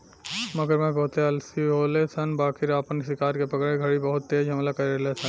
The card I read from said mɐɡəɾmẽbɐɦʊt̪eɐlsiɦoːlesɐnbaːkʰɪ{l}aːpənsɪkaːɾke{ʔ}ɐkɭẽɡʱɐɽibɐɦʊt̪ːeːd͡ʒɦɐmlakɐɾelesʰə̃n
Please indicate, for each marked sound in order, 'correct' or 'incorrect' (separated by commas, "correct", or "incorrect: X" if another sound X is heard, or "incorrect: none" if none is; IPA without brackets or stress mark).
incorrect: ɾ, incorrect: p